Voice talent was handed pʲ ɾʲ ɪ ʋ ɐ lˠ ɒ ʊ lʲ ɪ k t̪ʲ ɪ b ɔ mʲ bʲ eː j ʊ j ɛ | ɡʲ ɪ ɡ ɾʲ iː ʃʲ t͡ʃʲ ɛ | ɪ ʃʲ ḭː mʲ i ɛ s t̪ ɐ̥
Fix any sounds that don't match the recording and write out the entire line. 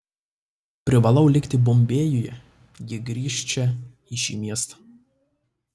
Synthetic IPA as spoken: pʲ ɾʲ ɪ ʋ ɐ lˠ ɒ ʊ lʲ ɪ k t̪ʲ ɪ b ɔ mʲ bʲ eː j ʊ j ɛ | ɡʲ ɪ ɡ ɾʲ iː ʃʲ t͡ʃʲ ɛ | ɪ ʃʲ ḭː mʲ i ɛ s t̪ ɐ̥